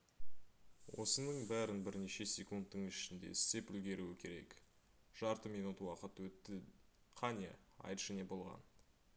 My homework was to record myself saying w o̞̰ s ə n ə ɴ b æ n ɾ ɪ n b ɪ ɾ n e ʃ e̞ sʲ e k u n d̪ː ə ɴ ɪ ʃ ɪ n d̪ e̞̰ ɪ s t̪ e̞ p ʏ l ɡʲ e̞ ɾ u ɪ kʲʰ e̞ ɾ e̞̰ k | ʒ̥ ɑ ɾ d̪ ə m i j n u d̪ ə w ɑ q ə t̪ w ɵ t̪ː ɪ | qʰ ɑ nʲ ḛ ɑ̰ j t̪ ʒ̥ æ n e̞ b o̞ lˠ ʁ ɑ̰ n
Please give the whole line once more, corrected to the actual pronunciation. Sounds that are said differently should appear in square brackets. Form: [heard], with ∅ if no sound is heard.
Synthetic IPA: w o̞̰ s ə n ə ɴ b æ [∅] ɾ ɪ n b ɪ ɾ n e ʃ e̞ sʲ e k u n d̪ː ə ɴ ɪ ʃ ɪ n d̪ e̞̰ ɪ s t̪ e̞ p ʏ l ɡʲ e̞ ɾ u ɪ kʲʰ e̞ ɾ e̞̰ k | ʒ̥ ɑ ɾ [t̪] ə m i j n u [t̪] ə w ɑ q ə t̪ w ɵ t̪ː ɪ | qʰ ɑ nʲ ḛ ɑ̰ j t̪ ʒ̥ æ n e̞ b o̞ lˠ ʁ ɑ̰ n